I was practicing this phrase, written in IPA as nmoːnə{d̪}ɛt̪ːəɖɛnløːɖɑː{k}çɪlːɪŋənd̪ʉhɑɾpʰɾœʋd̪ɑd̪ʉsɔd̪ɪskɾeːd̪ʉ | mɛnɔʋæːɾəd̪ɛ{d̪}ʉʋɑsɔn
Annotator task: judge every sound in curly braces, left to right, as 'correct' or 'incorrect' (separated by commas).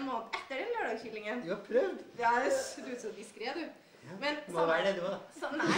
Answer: incorrect, incorrect, correct